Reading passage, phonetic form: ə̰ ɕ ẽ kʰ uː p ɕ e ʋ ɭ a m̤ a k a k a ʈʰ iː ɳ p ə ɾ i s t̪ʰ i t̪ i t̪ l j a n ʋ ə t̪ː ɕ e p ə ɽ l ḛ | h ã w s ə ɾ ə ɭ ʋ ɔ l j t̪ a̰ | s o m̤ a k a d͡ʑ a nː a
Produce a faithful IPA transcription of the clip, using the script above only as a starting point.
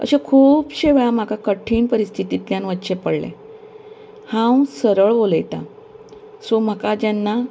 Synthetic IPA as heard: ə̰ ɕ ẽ kʰ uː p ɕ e ʋ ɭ a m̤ a k a k ə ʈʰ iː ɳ p ə ɾ i s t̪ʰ i t̪ i t̪ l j a n ʋ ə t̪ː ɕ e p ə ɽ l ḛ | h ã w s ə ɾ ə ɭ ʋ o l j t̪ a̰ | s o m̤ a k a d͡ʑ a nː a